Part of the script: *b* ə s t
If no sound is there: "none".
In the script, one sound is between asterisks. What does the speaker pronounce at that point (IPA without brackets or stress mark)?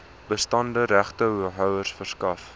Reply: b